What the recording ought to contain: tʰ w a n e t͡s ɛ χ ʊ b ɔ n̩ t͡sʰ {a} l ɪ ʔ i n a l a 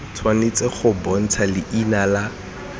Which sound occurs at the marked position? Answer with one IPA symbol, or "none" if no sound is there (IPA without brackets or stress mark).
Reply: a